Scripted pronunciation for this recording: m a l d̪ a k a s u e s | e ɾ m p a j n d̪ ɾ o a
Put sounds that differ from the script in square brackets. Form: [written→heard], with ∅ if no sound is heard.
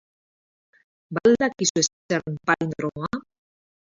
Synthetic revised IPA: [m→b] a l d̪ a k [a→i] s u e s | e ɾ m p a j n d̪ ɾ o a